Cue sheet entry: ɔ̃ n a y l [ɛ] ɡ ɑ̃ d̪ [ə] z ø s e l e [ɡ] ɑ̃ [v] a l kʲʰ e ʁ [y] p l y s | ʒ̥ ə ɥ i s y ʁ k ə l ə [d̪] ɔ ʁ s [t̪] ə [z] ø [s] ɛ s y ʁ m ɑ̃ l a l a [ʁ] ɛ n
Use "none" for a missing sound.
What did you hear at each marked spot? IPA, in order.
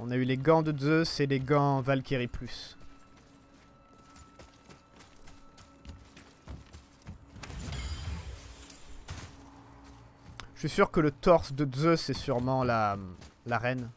e, ə, ɡ, v, i, t̪, d̪, z, s, ʁ

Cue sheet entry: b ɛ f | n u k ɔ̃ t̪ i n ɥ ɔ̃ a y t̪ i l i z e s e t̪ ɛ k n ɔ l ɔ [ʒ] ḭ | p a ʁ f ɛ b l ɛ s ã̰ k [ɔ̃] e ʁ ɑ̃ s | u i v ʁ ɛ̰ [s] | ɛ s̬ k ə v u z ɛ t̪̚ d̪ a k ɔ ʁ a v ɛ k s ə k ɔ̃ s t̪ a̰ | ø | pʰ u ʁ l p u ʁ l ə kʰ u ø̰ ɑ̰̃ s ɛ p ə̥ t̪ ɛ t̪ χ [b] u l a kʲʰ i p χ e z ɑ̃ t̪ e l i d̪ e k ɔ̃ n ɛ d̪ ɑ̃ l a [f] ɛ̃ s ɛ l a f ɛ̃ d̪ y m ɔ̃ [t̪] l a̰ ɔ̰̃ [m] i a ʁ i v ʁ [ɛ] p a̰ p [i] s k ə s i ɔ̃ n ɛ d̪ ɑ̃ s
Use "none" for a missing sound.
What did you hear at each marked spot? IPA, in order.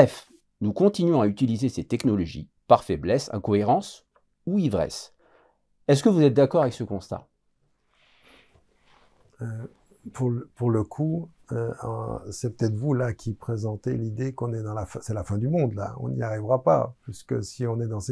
ʒ, ɔ, s, v, f, d̪, n, a, i

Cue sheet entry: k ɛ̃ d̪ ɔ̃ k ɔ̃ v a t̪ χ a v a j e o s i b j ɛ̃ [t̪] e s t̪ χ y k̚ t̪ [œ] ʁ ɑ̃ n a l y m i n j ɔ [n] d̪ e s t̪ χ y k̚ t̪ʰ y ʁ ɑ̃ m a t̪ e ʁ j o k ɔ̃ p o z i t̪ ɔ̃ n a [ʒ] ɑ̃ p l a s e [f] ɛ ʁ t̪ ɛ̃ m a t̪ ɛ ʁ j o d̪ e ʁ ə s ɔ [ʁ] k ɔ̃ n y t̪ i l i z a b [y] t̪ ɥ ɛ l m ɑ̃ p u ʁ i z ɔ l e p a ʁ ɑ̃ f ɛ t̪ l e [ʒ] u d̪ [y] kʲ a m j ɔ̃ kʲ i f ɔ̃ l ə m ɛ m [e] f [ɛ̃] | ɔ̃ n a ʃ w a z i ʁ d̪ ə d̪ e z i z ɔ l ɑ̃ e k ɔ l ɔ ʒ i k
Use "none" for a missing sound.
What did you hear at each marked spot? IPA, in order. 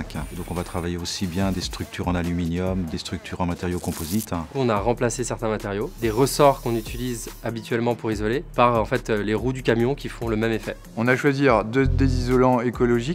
d̪, y, m, ʁ, s, ʁ, i, ʁ, y, e, ɛ

